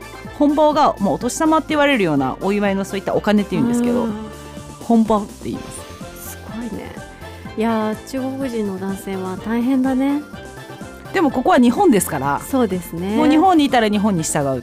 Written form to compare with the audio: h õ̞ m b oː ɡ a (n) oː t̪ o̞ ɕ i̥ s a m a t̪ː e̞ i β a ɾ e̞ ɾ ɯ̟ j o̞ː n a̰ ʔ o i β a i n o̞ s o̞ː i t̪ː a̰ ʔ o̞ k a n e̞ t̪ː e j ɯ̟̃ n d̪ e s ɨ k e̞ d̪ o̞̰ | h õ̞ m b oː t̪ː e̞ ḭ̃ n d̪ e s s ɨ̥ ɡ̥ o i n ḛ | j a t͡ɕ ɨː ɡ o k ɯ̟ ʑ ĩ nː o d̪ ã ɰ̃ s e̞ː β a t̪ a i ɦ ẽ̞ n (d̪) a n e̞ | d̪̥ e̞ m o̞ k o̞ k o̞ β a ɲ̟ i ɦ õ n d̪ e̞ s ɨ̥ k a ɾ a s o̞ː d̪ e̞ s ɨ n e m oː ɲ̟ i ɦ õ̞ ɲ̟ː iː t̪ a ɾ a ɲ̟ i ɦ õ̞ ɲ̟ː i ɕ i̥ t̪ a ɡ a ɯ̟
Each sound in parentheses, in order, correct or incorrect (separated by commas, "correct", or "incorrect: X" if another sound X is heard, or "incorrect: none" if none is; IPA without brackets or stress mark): incorrect: m, correct